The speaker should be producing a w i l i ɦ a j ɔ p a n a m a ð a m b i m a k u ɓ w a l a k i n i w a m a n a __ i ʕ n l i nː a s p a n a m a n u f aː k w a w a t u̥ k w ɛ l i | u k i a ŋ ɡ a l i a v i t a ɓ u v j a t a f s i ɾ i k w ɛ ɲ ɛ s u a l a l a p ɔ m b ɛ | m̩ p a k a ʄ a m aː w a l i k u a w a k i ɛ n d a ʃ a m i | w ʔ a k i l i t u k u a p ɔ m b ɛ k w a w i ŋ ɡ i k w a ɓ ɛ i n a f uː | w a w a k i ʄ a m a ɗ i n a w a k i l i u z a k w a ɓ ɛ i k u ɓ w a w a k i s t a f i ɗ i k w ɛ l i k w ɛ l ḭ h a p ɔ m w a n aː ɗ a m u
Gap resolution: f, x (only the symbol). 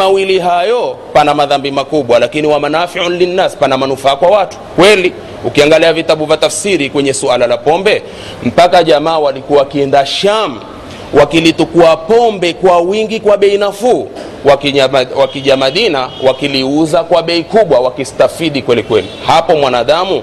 f